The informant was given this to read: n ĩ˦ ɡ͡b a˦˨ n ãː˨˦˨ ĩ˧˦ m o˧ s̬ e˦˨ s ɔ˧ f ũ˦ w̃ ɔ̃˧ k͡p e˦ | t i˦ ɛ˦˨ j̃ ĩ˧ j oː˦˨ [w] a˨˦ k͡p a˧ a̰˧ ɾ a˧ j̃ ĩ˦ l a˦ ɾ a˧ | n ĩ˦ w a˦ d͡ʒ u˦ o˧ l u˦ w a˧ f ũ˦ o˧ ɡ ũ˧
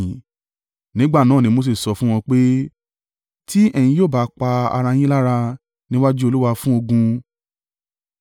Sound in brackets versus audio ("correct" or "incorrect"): incorrect